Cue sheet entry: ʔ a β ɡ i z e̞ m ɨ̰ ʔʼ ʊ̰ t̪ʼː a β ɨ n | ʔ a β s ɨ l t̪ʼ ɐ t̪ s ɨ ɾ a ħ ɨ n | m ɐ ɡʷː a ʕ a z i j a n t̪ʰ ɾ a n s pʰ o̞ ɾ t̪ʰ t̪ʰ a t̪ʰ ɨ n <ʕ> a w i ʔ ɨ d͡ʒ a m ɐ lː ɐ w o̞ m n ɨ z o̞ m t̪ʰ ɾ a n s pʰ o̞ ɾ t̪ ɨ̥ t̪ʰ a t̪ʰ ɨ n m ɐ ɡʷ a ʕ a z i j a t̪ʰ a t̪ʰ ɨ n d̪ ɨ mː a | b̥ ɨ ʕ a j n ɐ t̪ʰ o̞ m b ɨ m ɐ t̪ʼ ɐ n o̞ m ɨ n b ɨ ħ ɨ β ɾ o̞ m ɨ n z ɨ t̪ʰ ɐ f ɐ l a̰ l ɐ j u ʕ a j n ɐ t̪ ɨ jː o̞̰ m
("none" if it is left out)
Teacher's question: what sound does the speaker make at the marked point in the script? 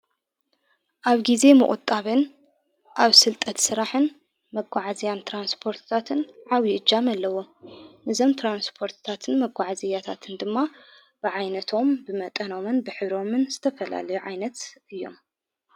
ʕ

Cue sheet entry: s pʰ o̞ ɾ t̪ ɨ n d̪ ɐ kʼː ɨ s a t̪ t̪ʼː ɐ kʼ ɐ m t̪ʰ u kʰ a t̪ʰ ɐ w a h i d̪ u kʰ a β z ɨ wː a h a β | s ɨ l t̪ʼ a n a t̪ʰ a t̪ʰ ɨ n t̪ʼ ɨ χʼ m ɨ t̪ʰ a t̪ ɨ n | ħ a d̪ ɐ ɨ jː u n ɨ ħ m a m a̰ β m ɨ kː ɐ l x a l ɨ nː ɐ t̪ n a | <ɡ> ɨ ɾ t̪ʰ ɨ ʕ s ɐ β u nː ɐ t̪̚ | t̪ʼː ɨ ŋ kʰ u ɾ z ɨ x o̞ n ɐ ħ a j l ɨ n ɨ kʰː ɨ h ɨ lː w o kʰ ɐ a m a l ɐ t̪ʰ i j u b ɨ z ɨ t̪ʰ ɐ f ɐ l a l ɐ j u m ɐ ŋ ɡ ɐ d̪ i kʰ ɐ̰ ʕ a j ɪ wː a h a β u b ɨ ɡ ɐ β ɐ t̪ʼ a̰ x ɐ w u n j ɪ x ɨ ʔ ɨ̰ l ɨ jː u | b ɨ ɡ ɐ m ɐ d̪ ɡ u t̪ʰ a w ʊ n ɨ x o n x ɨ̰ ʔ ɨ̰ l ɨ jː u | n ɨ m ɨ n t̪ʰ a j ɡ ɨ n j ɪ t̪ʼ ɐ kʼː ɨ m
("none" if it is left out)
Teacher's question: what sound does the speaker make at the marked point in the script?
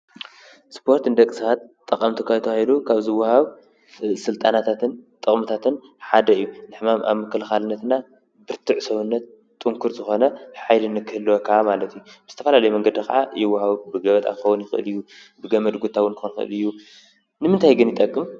b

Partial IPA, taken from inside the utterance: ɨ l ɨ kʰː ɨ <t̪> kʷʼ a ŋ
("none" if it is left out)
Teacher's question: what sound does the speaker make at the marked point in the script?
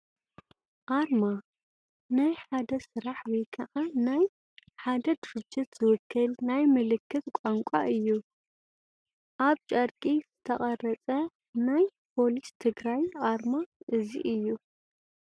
t̪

